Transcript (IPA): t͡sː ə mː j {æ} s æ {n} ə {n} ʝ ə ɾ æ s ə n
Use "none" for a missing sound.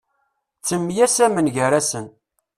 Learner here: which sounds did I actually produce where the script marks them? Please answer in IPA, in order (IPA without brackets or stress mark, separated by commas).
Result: æ, m, n